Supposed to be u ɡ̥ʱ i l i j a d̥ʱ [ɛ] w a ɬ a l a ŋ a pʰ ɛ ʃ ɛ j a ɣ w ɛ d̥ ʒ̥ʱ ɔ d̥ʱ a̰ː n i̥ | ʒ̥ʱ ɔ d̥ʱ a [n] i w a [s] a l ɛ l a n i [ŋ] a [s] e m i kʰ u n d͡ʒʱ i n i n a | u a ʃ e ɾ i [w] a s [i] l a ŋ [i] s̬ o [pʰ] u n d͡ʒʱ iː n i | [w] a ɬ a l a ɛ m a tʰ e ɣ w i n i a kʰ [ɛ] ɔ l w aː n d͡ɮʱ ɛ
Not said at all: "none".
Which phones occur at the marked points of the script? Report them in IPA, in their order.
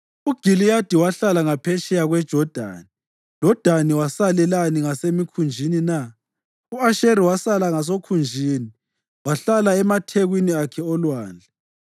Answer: i, n, s, ŋ, s, w, a, a, kʰ, w, ɛ

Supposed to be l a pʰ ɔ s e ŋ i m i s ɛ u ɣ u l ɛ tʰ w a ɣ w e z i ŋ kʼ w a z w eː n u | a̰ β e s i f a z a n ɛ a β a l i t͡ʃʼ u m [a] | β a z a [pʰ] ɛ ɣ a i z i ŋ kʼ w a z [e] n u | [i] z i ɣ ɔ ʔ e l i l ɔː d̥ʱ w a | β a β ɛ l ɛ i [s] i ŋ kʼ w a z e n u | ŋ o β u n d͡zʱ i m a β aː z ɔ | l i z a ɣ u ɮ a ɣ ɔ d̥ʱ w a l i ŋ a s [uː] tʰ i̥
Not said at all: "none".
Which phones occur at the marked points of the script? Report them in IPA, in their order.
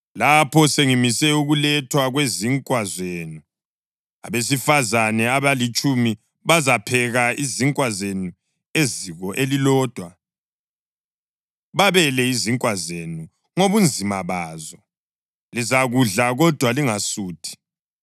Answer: i, pʰ, e, e, z, uː

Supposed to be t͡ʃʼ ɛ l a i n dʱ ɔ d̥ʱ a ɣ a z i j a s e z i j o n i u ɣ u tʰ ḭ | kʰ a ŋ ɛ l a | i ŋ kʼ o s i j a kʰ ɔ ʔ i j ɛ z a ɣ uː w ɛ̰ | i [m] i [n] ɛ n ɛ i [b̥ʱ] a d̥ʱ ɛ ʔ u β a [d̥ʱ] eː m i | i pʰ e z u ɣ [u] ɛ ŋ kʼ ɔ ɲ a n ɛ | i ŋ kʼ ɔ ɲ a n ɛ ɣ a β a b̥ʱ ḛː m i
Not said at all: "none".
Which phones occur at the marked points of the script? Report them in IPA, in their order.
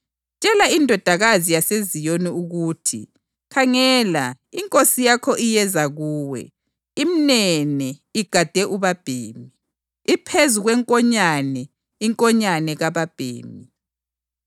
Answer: m, n, ɡ̥ʱ, b̥ʱ, w

